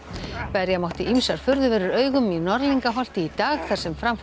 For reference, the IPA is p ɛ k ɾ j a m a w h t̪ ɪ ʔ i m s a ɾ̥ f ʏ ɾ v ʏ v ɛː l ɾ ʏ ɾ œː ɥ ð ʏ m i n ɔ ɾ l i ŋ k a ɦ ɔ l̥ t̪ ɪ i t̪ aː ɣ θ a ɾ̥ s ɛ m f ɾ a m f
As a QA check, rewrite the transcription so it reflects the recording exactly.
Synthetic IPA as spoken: p ɛ ɾ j a m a w h t̪ ɪ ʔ i m s a ɾ̥ f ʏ ɾ ð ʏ v ɛː ɾ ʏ ɾ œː ɥ ɣ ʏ m i n ɔ ɾ l i ŋ k a ɦ ɔ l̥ t̪ ɪ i t̪ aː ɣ θ a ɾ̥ s ɛ m f ɾ a m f